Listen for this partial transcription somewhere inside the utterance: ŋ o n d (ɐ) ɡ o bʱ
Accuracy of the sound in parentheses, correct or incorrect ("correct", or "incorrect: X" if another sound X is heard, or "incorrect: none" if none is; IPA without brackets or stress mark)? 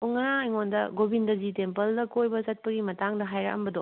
correct